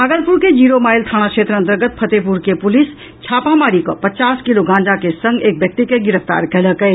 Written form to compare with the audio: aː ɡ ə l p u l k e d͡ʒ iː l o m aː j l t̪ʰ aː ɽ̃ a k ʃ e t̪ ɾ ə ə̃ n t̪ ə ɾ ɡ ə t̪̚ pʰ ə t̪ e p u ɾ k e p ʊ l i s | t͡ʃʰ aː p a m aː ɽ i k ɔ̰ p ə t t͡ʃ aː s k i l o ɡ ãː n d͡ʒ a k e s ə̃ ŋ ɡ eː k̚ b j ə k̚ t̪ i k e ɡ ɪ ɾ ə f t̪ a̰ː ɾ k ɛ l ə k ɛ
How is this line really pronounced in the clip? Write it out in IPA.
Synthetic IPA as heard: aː ɡ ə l p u ɾ k e d͡ʒ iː ɾ o m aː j l t̪ʰ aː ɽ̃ a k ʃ e t̪ ɾ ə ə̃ n t̪ ə ɾ ɡ ə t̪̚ pʰ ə t̪ e p u ɾ k e p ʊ l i s | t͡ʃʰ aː p a m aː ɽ i k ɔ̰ p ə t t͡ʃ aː s k i l o ɡ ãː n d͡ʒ a k e s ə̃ ŋ ɡ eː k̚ b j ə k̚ t̪ i k e ɡ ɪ ɾ ə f t̪ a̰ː ɾ k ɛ l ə k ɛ